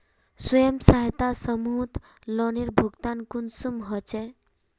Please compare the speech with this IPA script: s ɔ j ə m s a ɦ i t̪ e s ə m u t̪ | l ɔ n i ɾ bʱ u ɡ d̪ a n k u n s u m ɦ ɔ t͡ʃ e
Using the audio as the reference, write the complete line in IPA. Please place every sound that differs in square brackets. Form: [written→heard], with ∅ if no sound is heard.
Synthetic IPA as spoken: s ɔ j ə m s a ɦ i t̪ [e→a] s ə m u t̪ | l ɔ n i ɾ bʱ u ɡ [d̪→t̪] a n k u n s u m ɦ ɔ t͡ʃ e